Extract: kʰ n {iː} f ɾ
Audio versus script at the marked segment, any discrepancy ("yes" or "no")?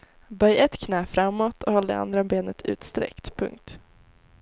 yes